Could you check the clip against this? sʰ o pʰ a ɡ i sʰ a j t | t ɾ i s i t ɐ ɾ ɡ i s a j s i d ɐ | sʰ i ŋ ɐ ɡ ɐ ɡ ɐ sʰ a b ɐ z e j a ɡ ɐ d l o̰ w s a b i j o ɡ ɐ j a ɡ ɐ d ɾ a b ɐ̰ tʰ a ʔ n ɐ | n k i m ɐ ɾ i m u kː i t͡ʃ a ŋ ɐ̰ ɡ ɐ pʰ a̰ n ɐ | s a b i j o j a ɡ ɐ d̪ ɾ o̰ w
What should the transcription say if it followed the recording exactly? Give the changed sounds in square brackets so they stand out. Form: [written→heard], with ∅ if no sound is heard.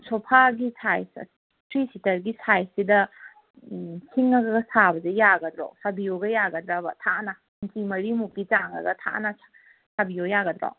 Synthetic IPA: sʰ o pʰ a ɡ i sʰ a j [t→s] | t ɾ i s i t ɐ ɾ ɡ i s a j s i d ɐ | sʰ i ŋ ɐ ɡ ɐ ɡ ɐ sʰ a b ɐ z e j a ɡ ɐ d [l→ɾ] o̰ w s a b i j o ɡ ɐ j a ɡ ɐ d ɾ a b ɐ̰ tʰ a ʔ n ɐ | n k i m ɐ ɾ i m u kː i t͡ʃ a ŋ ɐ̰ ɡ ɐ [pʰ→tʰ] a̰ n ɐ | s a b i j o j a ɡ ɐ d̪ ɾ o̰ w